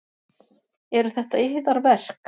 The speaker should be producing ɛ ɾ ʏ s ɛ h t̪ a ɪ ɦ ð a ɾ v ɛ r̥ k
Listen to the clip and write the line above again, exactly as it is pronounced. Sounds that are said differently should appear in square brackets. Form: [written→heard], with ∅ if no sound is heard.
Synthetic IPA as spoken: ɛ ɾ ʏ [s→θ] ɛ h t̪ a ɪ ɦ ð a ɾ v ɛ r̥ k